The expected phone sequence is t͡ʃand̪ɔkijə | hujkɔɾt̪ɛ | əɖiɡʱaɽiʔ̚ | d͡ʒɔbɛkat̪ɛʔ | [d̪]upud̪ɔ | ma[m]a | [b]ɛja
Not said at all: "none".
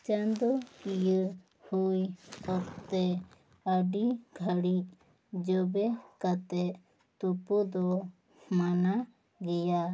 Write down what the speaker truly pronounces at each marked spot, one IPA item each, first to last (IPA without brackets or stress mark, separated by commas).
t̪, n, ɡ